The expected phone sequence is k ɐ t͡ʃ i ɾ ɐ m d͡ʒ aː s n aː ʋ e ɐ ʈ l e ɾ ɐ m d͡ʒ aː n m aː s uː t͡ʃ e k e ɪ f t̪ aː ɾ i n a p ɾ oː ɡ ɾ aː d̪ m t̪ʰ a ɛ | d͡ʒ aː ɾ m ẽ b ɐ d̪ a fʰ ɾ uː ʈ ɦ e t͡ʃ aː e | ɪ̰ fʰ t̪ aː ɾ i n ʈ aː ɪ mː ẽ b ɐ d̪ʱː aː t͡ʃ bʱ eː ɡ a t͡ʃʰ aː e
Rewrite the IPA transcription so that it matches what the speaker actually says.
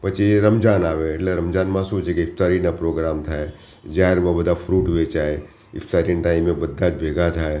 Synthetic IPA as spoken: p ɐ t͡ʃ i ɾ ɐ m d͡ʒ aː n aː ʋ e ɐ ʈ l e ɾ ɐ m d͡ʒ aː n m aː s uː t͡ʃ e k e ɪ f t̪ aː ɾ i n a p ɾ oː ɡ ɾ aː m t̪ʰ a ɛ | d͡ʒ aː ɾ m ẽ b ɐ d̪ a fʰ ɾ uː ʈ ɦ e t͡ʃ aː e | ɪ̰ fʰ t̪ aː ɾ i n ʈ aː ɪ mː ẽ b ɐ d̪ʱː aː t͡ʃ bʱ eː ɡ a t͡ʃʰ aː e